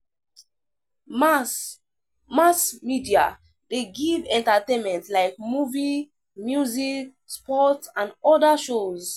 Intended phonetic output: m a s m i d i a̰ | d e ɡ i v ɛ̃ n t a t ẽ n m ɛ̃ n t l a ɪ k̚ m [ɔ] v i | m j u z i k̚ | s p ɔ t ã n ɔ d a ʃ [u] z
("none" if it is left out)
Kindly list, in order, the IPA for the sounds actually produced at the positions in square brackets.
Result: u, o

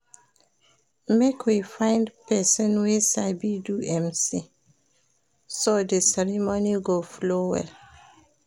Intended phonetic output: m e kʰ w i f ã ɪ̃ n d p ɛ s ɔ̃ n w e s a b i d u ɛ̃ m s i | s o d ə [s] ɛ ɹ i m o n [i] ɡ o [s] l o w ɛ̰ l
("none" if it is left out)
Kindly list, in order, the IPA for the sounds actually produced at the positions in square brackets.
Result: s, i, f

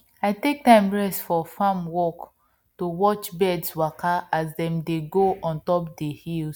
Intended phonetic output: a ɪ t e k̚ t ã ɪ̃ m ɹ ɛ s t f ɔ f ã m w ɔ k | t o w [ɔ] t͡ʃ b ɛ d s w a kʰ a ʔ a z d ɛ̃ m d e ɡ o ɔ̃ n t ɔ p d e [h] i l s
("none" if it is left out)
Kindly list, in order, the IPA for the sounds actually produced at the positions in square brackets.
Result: ɔ, h

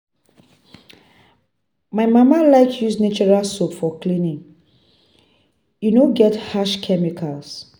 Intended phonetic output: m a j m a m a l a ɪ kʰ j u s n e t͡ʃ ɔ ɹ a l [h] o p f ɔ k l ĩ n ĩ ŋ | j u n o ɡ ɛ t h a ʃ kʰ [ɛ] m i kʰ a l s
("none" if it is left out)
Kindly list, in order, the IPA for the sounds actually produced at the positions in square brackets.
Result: s, ɛ

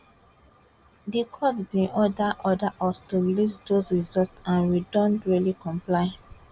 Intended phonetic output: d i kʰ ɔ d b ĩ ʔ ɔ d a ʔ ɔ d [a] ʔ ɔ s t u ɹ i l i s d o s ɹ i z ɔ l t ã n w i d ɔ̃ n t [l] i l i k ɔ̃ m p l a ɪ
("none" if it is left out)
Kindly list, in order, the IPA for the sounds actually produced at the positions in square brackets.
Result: a, ɹ

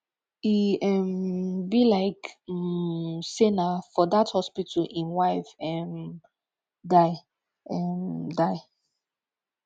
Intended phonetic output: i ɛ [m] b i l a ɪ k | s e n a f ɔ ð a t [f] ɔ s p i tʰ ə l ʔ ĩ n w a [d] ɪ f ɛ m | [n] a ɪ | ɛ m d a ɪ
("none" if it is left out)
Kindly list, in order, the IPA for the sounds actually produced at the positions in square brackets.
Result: m, h, none, d

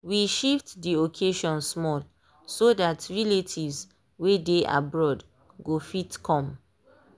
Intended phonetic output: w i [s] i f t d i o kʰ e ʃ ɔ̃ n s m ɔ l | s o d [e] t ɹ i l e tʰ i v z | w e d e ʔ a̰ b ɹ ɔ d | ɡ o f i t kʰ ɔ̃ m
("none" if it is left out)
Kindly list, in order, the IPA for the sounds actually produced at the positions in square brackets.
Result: ʃ, a

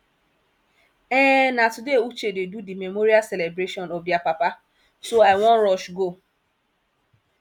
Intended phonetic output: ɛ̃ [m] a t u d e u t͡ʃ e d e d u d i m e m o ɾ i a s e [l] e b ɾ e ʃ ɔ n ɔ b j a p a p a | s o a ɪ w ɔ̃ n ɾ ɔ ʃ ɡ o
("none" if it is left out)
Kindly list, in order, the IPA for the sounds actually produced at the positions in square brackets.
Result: n, l

